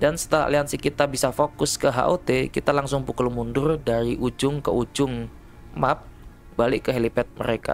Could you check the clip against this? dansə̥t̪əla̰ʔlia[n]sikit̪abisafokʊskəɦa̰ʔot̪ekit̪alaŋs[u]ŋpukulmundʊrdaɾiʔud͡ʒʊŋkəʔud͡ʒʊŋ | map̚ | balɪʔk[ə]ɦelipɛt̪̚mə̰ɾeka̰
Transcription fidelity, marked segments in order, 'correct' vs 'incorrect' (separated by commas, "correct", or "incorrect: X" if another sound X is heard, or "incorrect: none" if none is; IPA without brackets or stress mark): correct, incorrect: ʊ, correct